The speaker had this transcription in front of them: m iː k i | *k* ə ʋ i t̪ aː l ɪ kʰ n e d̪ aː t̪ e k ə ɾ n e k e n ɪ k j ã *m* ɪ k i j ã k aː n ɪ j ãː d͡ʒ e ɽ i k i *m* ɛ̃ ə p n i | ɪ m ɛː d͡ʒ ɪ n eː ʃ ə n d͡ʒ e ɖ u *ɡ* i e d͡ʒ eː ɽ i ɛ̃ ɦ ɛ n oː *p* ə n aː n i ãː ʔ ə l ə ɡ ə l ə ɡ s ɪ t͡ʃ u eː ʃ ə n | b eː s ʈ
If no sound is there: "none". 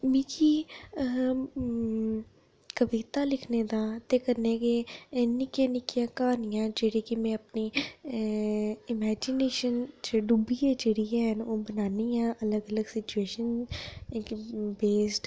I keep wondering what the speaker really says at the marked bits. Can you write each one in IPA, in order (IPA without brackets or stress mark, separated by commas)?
k, n, m, b, b